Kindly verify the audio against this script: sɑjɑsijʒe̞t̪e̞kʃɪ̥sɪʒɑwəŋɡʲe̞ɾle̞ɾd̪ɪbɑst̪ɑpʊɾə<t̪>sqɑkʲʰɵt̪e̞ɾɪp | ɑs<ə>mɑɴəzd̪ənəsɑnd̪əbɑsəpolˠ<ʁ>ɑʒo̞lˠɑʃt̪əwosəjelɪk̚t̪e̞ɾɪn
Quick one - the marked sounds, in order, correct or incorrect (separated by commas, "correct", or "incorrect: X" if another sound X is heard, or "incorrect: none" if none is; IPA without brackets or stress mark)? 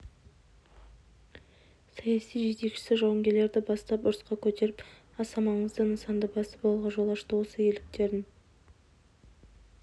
incorrect: none, incorrect: ɑ, correct